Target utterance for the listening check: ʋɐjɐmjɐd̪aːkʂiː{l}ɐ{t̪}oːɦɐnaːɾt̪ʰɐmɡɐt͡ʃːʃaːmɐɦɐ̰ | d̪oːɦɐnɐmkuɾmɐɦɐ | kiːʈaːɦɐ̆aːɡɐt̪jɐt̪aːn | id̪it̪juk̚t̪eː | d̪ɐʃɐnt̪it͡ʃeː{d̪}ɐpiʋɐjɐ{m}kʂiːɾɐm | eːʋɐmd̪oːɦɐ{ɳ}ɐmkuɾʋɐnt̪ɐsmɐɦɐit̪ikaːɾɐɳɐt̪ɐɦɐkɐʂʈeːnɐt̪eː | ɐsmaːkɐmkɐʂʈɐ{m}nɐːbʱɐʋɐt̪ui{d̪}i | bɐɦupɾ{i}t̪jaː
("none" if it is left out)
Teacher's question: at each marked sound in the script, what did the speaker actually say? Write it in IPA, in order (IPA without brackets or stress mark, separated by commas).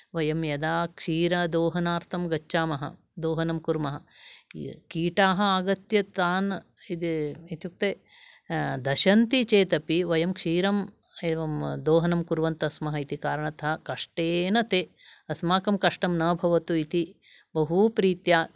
ɾ, d̪, t̪, m, n, m, t̪, iː